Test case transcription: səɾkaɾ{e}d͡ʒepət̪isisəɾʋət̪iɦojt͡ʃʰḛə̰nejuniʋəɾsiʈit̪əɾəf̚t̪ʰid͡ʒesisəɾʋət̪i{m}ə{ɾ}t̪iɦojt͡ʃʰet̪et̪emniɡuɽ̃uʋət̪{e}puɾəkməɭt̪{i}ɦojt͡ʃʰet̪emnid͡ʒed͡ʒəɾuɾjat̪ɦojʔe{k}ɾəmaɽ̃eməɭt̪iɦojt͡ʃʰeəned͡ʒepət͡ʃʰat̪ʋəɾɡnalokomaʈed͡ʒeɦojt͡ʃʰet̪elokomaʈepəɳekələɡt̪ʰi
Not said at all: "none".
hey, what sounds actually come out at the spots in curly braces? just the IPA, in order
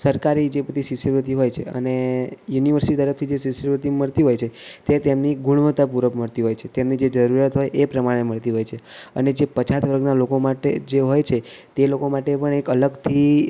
i, m, ɭ, a, i, p

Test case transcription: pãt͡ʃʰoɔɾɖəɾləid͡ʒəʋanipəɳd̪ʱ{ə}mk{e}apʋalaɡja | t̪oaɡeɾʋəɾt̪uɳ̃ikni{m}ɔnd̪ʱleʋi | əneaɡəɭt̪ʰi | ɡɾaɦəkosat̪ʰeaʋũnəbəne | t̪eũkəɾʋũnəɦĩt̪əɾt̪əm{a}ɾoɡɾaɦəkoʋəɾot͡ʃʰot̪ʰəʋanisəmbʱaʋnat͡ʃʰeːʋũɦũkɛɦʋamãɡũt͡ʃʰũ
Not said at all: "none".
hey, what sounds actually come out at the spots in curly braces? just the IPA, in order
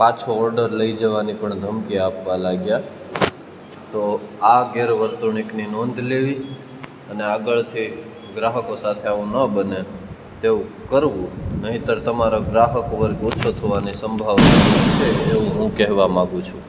ə, i, n, a

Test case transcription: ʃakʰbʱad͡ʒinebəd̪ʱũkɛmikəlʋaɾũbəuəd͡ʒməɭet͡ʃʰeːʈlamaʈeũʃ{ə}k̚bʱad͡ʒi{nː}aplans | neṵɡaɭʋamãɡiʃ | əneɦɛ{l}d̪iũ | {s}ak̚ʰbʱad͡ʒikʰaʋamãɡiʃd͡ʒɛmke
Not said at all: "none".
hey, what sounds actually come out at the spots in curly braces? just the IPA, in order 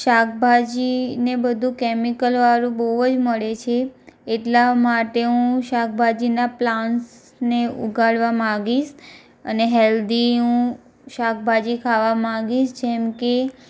a, n, l, ʃ

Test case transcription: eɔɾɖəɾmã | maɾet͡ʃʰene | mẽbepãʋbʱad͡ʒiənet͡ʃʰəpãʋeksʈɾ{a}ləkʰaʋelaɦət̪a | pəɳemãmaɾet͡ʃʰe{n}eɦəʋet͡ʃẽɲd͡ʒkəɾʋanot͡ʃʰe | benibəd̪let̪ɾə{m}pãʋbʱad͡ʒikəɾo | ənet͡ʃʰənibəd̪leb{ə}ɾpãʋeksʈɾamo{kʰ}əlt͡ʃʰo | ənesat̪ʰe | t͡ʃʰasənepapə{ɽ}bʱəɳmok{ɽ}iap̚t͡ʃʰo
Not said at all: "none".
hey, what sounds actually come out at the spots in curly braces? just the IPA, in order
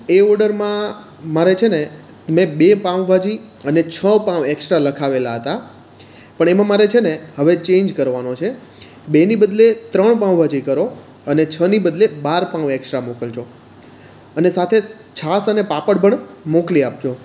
a, n, ɳ, a, k, ɽ, l

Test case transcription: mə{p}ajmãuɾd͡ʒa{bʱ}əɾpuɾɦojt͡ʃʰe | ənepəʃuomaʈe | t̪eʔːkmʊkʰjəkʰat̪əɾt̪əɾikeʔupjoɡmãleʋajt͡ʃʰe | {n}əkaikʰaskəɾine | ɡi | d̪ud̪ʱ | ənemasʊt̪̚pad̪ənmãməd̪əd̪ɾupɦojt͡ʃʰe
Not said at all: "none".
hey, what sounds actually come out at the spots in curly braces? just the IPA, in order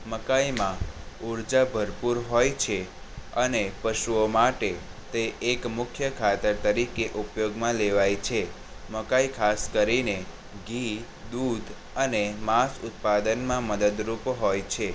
k, bʱ, m

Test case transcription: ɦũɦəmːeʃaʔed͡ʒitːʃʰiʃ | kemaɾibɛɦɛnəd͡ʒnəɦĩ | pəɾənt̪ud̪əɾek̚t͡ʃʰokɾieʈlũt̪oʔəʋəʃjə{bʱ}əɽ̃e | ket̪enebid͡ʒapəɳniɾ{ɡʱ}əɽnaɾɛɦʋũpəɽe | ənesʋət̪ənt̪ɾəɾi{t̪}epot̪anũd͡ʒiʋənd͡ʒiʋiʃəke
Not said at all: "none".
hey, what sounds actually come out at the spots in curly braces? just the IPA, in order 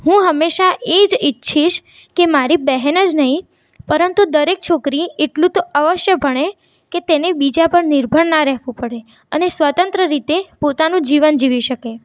bʱ, bʱ, t̪

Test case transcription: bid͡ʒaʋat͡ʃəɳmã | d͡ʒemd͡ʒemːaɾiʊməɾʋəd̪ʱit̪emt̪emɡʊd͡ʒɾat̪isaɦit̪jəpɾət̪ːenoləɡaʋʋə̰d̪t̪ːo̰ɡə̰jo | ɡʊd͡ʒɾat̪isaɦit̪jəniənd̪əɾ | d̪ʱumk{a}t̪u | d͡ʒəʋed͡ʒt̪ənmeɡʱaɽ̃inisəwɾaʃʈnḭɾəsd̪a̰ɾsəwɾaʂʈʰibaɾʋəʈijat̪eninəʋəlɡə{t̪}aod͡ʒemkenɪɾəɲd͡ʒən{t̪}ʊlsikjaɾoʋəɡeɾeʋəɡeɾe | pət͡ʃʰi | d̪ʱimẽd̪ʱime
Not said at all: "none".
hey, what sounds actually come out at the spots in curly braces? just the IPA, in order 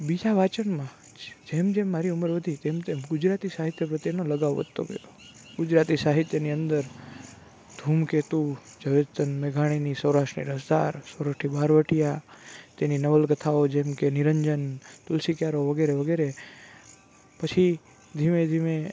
e, t̪ʰ, t̪

